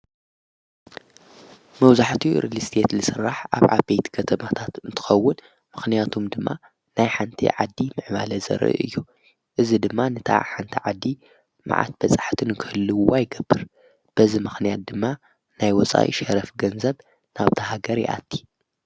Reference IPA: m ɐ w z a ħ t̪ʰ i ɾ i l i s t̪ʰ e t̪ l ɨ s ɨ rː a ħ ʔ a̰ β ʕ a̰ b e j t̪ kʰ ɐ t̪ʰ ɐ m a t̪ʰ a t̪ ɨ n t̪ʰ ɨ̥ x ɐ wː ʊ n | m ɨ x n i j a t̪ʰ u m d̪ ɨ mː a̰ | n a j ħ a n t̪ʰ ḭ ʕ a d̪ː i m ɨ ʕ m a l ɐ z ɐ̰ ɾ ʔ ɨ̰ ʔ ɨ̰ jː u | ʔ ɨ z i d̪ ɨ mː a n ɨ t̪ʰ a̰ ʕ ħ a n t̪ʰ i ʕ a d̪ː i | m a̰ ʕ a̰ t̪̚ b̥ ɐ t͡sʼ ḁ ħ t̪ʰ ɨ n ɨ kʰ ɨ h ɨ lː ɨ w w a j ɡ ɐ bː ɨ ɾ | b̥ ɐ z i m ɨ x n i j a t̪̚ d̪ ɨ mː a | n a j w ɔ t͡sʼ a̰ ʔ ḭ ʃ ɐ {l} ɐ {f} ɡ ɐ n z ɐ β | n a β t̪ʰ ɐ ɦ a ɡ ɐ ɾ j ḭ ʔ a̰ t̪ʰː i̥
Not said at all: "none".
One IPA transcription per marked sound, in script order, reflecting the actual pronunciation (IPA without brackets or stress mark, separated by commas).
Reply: ɾ, f